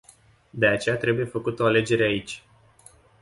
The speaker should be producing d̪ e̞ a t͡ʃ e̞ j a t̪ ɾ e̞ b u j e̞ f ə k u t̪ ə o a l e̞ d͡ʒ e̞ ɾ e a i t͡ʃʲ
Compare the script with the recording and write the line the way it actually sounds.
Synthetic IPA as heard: d̪ e̞ a t͡ʃ e̞ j a t̪ ɾ e̞ b u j e̞ f ə k u t̪ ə o a l e̞ d͡ʒ e̞ ɾ e a i t͡ʃʲ